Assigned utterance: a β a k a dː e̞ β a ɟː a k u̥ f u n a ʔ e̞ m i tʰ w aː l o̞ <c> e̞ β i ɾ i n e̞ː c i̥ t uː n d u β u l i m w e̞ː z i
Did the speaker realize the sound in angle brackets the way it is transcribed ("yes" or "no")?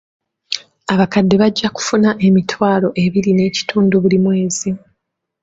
no